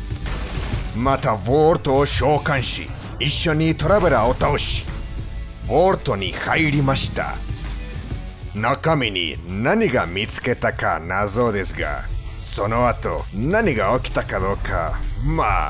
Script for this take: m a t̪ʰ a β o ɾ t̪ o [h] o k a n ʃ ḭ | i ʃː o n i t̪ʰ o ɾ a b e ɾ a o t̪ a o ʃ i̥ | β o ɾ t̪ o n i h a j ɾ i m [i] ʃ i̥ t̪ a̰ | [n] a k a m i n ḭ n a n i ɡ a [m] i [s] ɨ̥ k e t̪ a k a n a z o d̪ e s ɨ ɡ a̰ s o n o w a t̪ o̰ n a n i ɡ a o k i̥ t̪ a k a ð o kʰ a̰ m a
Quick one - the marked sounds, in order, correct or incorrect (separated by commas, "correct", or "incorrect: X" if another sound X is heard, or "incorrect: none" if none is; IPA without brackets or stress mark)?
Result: incorrect: ʃ, incorrect: a, correct, correct, incorrect: t͡s